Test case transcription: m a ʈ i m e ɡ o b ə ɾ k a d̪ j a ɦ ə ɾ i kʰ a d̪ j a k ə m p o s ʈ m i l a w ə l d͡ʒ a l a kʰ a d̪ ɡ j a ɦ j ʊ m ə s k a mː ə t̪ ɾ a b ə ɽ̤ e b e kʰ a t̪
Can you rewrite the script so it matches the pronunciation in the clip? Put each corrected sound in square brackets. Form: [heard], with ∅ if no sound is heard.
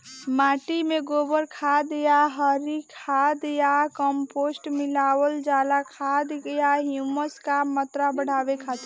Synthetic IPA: m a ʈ i m e ɡ o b ə ɾ [kʰ] a d̪ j a ɦ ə ɾ i kʰ a d̪ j a k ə m p o s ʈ m i l a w ə l d͡ʒ a l a kʰ a d̪ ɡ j a ɦ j [u] m ə s k a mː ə t̪ ɾ a b ə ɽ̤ [a] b e kʰ a t̪